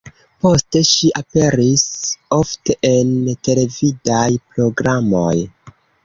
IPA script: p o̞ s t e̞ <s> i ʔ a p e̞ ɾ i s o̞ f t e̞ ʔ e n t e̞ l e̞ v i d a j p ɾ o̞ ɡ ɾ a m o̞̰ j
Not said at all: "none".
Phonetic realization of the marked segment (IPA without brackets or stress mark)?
ʃ